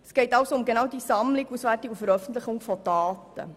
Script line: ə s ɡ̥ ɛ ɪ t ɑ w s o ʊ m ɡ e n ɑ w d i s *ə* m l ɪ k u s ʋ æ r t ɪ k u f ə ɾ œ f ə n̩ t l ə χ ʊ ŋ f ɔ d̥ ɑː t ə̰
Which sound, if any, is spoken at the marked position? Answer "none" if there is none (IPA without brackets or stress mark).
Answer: ɑ